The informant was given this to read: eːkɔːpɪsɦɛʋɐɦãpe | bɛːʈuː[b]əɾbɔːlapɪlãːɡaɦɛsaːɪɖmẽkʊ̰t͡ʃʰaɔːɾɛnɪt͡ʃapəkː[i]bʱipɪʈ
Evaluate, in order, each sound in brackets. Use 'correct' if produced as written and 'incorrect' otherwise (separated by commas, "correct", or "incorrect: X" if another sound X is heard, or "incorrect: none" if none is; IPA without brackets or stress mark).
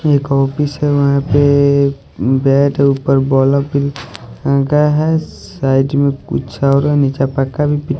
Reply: incorrect: p, incorrect: a